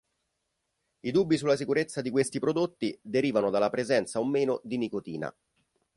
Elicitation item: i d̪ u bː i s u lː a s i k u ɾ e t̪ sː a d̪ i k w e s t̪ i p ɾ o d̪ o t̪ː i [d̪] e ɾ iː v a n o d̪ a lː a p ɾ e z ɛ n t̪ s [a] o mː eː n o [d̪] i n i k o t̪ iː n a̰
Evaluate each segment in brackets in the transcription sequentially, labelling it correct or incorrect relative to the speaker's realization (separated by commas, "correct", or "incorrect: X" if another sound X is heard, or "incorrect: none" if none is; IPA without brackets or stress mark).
correct, correct, correct